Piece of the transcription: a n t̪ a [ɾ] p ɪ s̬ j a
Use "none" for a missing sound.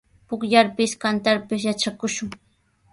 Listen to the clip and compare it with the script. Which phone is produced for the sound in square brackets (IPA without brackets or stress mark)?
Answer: ɾ